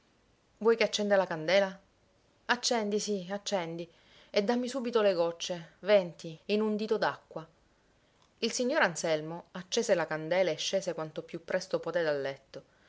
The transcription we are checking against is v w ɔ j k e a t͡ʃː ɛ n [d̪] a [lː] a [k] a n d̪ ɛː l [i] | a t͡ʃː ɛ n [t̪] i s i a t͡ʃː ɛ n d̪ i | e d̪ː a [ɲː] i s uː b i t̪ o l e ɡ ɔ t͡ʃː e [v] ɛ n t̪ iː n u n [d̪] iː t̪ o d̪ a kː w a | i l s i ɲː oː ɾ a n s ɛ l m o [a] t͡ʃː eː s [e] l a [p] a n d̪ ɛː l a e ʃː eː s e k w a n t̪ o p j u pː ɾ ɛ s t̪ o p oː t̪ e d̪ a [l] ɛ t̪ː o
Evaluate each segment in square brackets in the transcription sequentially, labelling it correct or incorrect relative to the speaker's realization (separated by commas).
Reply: correct, incorrect, correct, incorrect, incorrect, incorrect, correct, correct, correct, correct, incorrect, incorrect